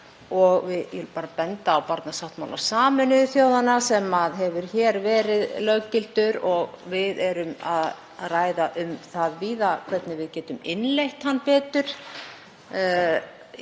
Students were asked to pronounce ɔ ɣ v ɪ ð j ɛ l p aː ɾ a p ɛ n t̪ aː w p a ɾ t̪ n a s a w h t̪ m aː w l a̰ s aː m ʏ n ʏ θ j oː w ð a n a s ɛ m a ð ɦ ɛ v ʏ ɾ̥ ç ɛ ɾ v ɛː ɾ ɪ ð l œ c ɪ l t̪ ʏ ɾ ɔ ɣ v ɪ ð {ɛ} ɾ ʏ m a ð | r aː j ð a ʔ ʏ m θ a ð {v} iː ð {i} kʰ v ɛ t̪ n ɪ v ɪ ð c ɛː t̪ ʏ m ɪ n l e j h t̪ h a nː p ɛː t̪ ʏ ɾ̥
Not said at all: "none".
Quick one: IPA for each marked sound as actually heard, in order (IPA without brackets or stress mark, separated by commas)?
ɛ, v, a